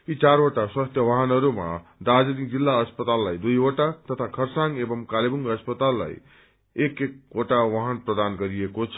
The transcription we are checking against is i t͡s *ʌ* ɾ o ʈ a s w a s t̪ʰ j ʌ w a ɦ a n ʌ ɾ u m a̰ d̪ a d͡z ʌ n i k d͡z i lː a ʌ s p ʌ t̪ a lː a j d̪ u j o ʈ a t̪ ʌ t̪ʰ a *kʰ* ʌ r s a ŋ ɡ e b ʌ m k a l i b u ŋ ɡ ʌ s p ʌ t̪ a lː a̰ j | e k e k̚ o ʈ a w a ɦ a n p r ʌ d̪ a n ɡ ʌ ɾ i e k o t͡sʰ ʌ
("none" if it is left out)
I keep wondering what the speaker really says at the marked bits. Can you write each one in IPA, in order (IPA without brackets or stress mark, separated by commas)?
a, kʰ